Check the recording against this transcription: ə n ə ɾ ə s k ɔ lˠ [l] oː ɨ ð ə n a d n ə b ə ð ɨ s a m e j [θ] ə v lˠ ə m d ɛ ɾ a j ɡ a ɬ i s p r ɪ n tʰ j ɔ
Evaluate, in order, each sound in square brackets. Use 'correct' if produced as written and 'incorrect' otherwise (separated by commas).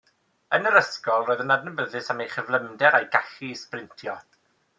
incorrect, incorrect